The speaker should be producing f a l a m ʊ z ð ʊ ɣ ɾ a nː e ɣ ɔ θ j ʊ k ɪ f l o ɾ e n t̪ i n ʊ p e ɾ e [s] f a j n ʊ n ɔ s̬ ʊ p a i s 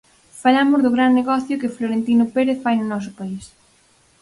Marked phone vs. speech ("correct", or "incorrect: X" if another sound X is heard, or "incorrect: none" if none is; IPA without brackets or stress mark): incorrect: θ